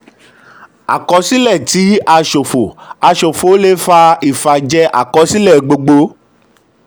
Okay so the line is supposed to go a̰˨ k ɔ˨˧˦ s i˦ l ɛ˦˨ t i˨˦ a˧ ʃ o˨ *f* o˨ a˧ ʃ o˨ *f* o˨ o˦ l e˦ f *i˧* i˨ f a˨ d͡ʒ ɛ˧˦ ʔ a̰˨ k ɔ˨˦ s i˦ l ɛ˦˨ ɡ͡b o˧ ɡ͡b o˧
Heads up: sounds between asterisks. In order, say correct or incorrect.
correct, correct, incorrect: a˧

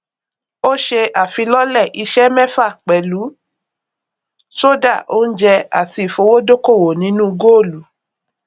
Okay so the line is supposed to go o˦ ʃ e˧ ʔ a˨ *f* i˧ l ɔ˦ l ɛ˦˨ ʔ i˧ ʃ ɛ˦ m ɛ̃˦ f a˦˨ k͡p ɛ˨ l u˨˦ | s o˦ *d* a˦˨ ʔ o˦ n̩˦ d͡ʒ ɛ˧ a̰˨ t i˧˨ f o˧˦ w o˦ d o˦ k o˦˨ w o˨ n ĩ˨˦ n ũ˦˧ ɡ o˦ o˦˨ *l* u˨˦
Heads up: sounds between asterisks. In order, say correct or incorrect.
correct, correct, correct

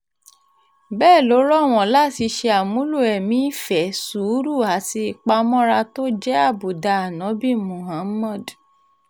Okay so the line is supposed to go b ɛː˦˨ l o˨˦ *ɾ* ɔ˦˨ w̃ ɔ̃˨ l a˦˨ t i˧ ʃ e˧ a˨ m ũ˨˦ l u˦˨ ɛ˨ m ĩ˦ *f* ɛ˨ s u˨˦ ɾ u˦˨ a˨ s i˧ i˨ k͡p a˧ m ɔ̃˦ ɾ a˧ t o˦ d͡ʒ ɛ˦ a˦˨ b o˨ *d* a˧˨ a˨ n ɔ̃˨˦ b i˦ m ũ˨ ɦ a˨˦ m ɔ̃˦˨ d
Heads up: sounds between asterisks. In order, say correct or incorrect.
correct, correct, correct

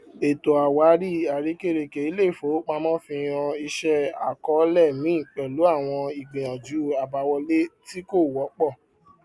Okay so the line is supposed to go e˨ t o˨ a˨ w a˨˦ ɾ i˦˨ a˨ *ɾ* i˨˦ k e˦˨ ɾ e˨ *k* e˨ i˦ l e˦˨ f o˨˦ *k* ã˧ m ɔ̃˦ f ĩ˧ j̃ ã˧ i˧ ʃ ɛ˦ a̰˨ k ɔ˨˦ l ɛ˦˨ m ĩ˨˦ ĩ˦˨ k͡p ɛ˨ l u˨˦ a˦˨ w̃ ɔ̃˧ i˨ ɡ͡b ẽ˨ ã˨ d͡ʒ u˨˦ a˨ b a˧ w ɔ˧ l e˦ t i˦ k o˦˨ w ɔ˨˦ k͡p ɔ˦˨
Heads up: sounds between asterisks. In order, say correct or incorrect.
correct, correct, incorrect: k͡p

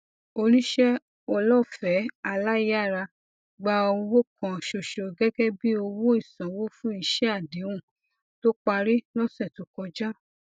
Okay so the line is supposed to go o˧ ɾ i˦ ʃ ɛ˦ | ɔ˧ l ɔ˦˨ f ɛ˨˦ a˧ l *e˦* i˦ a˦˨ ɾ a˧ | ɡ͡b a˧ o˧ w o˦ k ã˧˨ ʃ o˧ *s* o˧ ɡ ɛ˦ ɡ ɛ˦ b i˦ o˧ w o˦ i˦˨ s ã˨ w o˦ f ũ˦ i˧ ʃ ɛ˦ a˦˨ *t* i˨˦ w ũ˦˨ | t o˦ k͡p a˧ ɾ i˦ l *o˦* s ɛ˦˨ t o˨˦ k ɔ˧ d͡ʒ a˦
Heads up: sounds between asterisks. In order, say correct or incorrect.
incorrect: a˦, incorrect: ʃ, incorrect: d, incorrect: ɔ˦

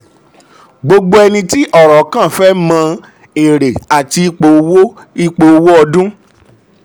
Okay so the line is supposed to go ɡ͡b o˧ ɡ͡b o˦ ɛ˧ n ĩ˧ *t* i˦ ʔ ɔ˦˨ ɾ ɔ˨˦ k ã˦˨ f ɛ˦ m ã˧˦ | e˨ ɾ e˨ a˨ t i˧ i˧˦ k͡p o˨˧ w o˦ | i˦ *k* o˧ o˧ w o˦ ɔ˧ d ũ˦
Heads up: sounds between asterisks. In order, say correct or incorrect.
correct, incorrect: k͡p

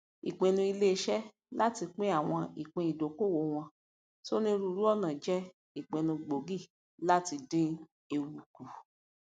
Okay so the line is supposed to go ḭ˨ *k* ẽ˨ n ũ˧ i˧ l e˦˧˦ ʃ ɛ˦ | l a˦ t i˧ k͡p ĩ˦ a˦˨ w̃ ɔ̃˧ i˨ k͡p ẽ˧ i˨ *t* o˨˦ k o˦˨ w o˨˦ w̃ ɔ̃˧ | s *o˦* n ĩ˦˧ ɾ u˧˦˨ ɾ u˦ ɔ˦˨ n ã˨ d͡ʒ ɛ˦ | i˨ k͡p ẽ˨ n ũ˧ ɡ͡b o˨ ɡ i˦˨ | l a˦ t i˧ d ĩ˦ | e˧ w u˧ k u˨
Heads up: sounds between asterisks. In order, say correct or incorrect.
incorrect: k͡p, incorrect: d, correct

